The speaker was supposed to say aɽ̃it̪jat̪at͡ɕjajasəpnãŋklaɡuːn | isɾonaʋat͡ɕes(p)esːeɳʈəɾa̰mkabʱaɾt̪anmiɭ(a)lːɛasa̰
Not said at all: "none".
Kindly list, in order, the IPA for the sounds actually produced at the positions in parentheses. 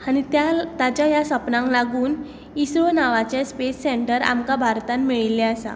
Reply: p, i

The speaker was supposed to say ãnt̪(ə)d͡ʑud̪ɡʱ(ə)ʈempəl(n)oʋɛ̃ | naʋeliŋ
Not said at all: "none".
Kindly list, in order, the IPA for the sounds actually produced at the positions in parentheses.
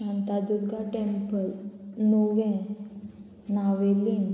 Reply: a, a, n

